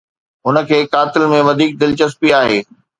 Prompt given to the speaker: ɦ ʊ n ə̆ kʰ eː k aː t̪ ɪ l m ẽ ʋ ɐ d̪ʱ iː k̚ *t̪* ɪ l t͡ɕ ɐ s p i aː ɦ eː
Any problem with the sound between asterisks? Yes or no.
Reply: yes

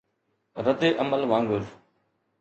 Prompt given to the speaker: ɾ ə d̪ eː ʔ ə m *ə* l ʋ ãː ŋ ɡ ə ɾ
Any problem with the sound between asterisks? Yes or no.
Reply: no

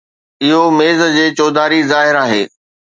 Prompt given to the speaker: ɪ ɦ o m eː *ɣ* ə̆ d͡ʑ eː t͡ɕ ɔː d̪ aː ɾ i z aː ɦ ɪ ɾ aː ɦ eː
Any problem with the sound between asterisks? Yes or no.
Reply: yes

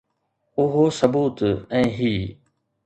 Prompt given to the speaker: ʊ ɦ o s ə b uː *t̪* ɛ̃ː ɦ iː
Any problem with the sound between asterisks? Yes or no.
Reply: no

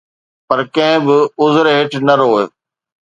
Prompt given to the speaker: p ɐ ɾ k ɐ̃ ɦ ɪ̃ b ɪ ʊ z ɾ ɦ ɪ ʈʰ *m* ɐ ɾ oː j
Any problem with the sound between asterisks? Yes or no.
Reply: yes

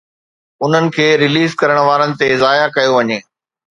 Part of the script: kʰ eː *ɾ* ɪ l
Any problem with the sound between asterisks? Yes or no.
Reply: no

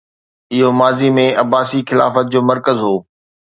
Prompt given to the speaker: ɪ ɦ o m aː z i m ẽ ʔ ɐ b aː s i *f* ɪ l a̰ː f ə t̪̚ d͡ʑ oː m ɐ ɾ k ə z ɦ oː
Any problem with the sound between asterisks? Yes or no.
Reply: yes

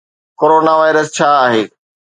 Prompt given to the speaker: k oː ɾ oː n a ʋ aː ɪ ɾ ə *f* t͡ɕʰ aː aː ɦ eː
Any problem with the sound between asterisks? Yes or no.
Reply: yes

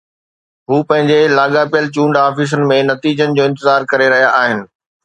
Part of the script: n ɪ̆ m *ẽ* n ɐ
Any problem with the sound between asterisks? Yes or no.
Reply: no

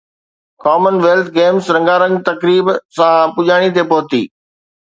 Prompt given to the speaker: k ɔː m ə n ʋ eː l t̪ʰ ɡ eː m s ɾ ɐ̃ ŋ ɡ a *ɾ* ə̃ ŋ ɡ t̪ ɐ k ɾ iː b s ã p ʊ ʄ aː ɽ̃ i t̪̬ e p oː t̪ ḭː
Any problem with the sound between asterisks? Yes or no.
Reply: no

